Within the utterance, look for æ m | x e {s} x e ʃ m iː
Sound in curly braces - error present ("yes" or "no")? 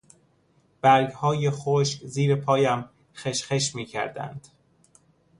yes